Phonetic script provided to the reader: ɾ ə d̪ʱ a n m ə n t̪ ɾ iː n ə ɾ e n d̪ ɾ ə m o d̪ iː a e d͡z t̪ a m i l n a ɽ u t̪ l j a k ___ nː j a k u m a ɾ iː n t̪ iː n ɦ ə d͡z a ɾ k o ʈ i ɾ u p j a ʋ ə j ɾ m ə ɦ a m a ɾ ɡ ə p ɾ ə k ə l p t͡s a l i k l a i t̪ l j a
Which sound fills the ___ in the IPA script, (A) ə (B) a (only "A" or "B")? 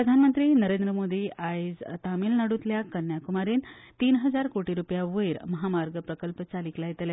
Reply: A